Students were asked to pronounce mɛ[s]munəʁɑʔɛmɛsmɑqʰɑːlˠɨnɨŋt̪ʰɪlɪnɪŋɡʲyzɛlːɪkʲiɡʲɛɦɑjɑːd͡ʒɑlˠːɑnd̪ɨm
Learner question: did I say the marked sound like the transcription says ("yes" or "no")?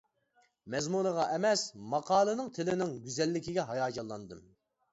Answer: no